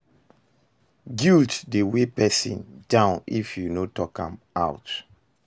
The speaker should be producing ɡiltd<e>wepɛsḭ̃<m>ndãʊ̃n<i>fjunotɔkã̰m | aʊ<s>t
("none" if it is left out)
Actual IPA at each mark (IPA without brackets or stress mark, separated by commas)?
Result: e, none, i, none